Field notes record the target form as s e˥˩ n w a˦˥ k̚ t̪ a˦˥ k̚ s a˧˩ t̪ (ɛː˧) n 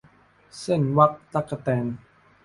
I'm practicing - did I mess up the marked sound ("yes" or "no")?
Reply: no